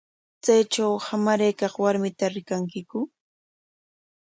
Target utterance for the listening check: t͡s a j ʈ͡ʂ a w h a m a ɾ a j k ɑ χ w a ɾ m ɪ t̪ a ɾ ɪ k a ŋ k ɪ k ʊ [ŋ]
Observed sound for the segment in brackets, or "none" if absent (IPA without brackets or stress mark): none